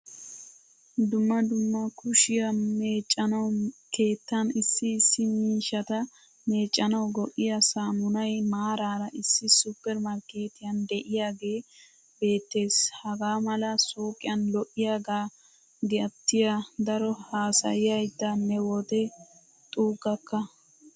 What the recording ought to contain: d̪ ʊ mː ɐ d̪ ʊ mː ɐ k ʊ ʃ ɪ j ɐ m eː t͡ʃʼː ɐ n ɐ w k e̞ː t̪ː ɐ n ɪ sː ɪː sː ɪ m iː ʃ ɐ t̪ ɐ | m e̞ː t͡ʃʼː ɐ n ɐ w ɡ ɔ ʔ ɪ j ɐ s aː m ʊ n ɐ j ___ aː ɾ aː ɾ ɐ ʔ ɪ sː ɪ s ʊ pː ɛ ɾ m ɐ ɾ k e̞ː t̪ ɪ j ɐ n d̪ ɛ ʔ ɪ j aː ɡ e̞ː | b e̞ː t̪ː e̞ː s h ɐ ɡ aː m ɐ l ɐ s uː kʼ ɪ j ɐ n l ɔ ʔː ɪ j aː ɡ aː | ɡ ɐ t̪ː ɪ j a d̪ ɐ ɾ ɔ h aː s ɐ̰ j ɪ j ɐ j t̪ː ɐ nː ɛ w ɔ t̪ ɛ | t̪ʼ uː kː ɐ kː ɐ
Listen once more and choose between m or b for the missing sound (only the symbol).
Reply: m